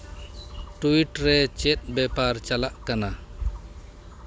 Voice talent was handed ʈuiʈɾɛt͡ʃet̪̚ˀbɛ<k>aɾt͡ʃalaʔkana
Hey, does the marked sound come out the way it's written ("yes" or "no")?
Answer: no